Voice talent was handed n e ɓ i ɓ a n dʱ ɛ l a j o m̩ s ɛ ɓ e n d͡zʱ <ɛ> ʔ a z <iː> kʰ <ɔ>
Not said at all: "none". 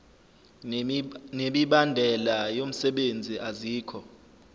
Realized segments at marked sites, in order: i, iː, ɔ

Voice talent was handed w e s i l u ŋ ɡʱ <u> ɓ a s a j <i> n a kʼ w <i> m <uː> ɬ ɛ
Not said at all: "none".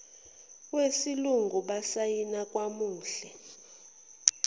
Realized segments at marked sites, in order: u, i, a, uː

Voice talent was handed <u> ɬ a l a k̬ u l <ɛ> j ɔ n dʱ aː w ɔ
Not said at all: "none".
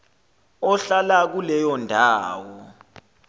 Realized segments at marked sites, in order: ɔ, ɛ

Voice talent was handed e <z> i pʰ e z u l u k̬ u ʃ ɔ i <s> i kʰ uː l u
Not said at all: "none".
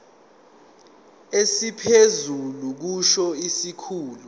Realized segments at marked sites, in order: s, s

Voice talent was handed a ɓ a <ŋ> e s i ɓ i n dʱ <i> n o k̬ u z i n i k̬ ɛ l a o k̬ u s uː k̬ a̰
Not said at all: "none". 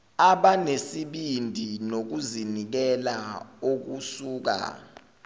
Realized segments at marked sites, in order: n, i

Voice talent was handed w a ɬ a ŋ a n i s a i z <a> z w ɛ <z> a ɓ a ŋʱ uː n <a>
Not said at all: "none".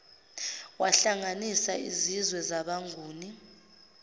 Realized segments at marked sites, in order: i, z, i

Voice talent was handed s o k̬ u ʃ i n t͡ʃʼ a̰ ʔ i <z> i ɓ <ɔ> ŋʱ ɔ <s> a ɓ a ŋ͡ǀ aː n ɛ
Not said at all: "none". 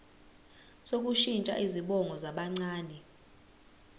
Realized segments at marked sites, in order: z, ɔ, z

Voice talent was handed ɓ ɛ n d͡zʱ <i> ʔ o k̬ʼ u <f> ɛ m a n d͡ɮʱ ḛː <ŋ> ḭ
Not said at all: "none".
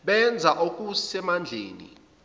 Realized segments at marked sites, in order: a, s, n

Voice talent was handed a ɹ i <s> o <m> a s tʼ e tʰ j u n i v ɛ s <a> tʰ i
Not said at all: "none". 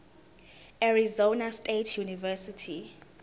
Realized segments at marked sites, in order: z, n, i

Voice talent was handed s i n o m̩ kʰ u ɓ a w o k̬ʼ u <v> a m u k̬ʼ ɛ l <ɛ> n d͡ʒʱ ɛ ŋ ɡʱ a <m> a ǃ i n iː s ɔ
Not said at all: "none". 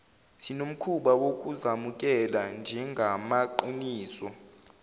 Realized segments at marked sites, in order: z, a, m

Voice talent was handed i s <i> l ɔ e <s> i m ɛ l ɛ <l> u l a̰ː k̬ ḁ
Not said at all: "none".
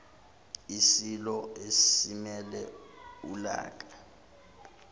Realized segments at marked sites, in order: i, s, none

